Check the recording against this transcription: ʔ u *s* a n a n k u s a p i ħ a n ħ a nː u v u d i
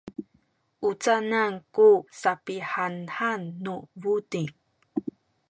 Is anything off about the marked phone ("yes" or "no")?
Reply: yes